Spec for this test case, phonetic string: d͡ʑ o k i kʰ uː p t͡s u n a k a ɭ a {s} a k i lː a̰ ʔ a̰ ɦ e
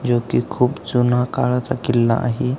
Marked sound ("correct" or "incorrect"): incorrect